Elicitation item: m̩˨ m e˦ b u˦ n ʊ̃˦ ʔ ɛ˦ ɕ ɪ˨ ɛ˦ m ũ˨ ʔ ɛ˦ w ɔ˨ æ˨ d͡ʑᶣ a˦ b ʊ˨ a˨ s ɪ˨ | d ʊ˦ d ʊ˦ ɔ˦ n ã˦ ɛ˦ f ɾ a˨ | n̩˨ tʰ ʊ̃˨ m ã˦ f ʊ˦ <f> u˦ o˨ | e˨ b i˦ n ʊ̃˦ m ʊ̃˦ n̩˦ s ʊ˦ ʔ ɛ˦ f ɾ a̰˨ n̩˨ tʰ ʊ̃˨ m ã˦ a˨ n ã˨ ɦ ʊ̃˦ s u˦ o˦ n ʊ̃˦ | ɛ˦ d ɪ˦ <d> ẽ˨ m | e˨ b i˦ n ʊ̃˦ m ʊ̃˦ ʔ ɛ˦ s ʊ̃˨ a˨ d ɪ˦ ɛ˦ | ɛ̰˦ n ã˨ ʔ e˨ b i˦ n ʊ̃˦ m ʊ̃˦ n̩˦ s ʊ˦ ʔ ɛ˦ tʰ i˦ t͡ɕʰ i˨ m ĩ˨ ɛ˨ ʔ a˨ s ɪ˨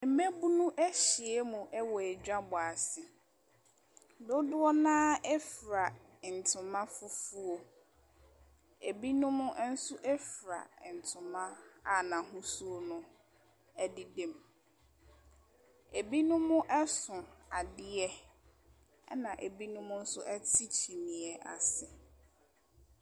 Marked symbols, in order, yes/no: yes, yes

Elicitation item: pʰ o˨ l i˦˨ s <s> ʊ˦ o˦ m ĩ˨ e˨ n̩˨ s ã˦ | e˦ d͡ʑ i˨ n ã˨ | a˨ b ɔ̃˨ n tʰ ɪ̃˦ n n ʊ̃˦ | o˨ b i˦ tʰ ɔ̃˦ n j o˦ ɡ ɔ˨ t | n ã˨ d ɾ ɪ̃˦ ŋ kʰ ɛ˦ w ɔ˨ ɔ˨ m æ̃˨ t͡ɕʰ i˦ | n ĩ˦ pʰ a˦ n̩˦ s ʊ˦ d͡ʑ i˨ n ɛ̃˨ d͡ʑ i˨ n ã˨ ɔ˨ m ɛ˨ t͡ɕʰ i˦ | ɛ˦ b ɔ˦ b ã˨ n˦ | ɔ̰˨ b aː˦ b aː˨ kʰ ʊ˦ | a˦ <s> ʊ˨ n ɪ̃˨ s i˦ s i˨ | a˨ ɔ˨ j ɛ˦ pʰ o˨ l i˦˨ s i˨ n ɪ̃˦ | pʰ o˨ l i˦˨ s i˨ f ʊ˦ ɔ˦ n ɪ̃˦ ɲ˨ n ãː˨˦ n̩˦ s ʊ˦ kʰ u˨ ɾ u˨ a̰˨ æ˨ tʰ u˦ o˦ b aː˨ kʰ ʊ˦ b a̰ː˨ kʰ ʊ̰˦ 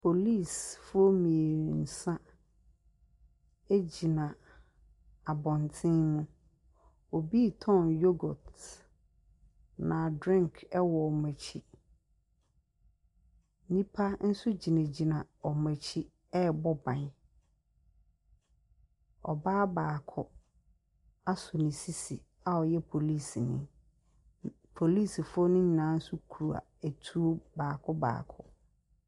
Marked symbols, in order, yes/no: no, yes

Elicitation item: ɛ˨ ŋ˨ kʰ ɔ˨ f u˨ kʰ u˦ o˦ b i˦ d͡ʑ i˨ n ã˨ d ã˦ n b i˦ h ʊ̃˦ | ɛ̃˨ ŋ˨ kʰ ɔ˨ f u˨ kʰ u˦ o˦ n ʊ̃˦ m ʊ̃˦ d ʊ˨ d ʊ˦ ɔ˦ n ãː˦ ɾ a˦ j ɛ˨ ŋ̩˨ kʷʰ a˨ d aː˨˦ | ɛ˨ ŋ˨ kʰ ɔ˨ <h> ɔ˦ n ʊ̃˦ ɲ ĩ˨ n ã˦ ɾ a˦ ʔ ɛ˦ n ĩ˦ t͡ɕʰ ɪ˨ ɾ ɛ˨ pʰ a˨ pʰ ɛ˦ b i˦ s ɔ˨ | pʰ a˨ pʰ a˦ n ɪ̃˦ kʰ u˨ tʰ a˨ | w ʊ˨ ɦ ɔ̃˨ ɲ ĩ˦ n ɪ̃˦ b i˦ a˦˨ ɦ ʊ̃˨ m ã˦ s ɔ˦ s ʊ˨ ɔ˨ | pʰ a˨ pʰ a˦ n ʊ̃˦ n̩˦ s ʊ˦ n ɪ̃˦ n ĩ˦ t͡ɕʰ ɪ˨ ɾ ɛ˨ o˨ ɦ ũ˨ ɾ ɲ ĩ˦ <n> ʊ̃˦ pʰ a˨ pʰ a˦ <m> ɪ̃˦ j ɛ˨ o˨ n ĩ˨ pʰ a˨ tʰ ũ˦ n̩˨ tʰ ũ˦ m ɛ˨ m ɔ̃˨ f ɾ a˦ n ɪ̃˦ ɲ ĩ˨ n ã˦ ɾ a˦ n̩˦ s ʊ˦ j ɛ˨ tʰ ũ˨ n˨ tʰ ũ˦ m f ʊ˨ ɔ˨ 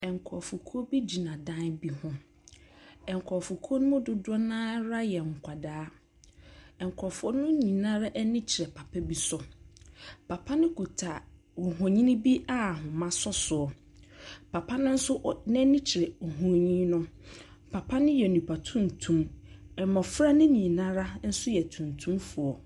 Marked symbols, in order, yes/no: no, yes, no

